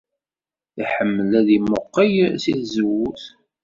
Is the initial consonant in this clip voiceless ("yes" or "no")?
yes